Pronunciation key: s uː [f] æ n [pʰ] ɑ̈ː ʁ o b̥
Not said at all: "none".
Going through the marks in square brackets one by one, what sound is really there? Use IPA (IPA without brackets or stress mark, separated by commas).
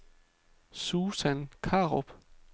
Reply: s, kʰ